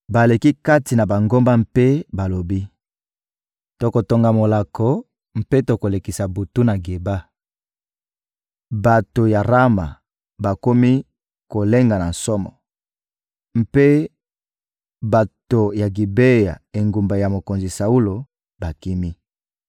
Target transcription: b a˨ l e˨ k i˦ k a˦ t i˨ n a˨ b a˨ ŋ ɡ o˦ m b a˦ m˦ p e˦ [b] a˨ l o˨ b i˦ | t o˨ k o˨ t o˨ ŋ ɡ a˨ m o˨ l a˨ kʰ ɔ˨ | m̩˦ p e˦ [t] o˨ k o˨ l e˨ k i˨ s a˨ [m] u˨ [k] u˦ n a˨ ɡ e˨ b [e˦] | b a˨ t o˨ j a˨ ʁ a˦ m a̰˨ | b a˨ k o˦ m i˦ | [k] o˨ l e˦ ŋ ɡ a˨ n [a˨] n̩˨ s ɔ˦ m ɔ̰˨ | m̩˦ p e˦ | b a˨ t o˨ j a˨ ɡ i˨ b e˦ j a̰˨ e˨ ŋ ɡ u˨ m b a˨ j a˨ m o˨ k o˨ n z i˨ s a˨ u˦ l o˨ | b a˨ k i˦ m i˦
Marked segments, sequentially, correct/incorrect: correct, correct, incorrect: b, incorrect: t, incorrect: a˦, correct, correct

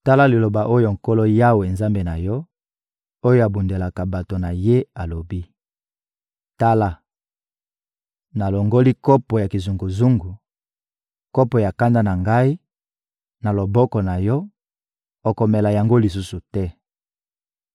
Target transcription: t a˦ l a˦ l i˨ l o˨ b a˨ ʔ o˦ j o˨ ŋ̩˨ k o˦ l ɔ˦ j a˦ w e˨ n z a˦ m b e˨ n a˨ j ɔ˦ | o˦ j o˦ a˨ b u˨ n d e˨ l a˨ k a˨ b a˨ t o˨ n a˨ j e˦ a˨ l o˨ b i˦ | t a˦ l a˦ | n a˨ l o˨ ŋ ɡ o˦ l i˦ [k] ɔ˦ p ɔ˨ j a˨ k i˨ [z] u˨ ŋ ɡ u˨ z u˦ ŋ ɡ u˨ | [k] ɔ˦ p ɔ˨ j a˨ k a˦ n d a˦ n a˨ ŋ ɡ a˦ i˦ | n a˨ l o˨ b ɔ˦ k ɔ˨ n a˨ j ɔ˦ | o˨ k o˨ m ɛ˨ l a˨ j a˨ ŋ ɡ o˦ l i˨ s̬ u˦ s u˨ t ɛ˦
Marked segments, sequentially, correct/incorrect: correct, correct, correct

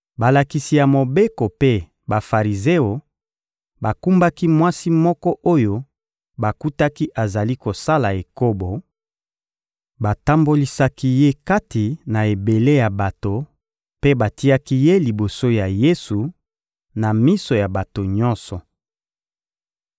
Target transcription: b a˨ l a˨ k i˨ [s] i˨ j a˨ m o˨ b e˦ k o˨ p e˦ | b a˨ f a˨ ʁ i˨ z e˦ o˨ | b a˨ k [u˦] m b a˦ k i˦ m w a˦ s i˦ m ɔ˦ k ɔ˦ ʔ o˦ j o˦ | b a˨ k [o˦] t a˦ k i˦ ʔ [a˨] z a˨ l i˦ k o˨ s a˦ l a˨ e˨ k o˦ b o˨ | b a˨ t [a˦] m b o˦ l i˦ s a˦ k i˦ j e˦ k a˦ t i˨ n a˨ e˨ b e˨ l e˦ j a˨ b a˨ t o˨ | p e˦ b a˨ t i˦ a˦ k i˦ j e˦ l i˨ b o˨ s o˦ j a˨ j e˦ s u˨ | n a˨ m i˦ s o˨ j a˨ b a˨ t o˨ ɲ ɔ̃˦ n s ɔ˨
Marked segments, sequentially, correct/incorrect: correct, correct, incorrect: u˦, correct, correct

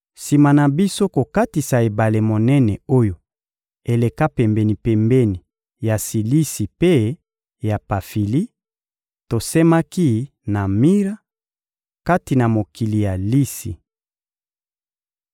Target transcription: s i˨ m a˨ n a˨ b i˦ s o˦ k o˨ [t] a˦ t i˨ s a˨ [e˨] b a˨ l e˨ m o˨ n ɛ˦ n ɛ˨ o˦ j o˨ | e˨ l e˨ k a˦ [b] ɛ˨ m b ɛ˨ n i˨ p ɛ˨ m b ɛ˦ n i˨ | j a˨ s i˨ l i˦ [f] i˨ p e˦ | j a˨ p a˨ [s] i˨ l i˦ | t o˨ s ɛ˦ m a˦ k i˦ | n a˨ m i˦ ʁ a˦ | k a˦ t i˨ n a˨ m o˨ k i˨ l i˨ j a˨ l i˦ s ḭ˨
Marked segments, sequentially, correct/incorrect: incorrect: k, correct, incorrect: p, incorrect: s, incorrect: f

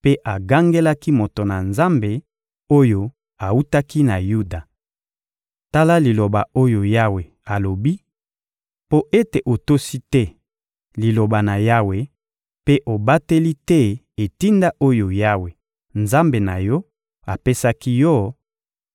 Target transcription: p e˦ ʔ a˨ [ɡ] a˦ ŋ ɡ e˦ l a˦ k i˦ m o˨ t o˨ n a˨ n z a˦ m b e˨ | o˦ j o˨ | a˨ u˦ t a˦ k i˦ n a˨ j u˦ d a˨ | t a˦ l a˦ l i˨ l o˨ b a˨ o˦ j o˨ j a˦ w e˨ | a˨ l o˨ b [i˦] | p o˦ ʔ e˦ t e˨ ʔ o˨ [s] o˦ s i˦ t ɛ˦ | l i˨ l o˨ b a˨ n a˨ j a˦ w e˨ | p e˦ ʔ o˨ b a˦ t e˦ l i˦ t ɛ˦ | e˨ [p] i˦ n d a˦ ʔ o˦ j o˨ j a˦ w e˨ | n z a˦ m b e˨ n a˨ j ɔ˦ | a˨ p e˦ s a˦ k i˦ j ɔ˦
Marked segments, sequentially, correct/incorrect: correct, correct, incorrect: t, incorrect: t

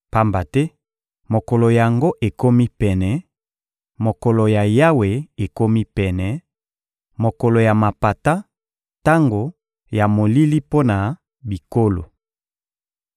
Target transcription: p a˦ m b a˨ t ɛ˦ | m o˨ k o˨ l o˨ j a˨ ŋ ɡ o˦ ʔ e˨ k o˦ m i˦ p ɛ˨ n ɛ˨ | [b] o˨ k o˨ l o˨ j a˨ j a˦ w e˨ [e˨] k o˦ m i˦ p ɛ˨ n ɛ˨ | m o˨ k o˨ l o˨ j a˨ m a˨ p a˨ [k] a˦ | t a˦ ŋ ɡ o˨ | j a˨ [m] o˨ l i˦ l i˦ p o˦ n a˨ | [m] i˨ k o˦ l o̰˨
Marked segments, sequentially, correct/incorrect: incorrect: m, correct, incorrect: t, correct, incorrect: b

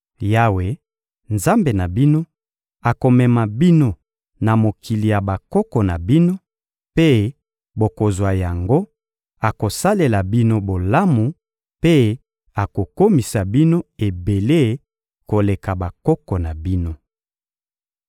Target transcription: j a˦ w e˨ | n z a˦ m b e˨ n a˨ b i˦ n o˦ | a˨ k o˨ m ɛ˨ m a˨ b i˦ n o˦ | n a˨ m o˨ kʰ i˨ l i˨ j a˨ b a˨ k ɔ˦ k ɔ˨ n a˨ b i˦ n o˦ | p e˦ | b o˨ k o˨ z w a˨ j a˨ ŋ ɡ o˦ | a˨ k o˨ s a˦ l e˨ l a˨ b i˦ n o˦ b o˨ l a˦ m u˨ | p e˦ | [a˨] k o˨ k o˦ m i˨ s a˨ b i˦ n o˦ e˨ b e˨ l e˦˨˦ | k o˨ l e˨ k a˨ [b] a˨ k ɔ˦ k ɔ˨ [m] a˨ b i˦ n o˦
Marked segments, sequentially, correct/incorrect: correct, correct, incorrect: n

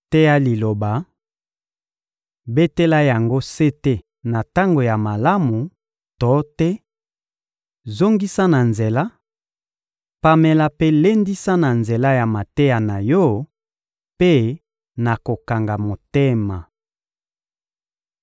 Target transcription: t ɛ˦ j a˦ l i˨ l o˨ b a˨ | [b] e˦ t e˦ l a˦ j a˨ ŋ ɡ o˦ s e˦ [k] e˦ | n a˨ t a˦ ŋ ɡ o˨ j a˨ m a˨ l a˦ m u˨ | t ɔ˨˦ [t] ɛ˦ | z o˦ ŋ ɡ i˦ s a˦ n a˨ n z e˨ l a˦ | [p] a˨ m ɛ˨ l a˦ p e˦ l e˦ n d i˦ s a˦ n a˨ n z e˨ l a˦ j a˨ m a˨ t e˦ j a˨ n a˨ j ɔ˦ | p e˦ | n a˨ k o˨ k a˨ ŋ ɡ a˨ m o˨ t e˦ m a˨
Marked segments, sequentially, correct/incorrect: correct, incorrect: t, correct, correct

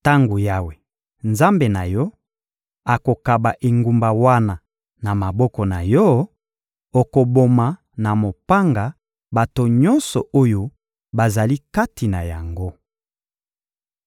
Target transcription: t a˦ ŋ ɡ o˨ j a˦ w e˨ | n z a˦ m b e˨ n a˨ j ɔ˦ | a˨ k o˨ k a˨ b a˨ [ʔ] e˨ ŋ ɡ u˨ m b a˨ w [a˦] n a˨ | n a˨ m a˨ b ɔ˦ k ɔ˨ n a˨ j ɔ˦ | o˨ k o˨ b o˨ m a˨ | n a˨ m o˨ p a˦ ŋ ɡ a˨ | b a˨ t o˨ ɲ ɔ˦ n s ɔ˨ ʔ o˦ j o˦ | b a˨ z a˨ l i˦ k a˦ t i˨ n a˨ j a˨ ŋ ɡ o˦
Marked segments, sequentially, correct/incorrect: correct, correct

